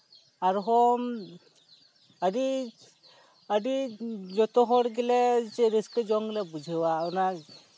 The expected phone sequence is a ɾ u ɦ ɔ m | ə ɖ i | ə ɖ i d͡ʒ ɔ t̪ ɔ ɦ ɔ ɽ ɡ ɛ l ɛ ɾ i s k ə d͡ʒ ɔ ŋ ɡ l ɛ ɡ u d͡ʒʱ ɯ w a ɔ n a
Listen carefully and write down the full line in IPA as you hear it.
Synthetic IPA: a ɾ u ɦ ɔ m | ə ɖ i | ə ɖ i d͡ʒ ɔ t̪ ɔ ɦ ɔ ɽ ɡ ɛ l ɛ ɾ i s k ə d͡ʒ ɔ ŋ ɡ l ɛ b u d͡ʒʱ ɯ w a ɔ n a